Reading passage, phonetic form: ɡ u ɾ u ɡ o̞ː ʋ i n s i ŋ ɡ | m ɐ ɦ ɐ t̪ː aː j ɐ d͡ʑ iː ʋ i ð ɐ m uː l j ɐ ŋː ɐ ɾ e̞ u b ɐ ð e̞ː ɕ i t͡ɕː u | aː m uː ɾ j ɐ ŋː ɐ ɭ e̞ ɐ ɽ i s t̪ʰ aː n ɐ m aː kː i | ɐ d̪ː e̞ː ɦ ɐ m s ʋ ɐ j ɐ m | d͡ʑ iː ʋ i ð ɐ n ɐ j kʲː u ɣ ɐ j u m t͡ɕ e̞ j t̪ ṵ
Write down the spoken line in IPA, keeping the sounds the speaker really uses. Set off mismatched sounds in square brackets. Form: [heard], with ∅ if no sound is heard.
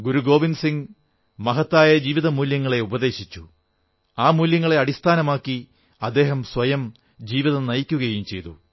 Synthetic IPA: ɡ u ɾ u ɡ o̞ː ʋ i n s i ŋ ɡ | m ɐ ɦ ɐ t̪ː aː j ɐ d͡ʑ iː ʋ i ð ɐ m uː l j ɐ ŋː ɐ [ɭ] e̞ u b ɐ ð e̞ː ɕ i t͡ɕː u | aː m uː [l] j ɐ ŋː ɐ ɭ e̞ ɐ ɽ i s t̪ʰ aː n ɐ m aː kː i | ɐ d̪ː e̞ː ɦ ɐ m s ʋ ɐ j ɐ m | d͡ʑ iː ʋ i ð ɐ n ɐ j kʲː u ɣ ɐ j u m t͡ɕ e̞ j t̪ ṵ